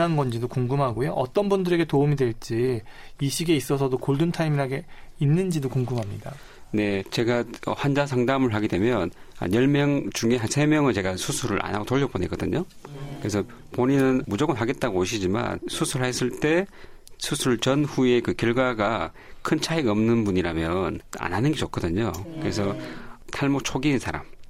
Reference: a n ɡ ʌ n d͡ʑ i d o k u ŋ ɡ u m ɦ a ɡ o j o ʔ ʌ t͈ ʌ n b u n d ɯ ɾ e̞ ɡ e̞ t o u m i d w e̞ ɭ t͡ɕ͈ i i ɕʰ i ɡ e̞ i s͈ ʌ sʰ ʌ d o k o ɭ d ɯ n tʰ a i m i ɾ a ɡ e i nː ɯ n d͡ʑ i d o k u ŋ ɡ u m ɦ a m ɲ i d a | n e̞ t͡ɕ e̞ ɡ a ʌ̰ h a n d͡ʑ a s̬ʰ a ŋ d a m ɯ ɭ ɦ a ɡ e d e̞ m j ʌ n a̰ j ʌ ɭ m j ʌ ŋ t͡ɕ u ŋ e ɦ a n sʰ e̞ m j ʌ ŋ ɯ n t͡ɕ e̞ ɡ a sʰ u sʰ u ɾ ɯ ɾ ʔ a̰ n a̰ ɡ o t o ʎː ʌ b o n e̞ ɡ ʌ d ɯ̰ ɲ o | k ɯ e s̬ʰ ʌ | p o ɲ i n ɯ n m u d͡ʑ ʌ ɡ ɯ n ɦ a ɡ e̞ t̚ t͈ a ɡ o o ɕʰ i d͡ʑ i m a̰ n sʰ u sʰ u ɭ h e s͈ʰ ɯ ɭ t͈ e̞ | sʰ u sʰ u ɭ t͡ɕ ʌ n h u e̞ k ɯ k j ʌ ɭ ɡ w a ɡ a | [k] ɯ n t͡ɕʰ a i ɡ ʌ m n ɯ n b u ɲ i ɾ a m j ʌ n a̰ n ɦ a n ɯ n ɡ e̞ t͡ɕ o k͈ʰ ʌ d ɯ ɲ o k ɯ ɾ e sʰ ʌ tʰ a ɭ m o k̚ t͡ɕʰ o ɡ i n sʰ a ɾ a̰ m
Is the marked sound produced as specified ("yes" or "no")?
no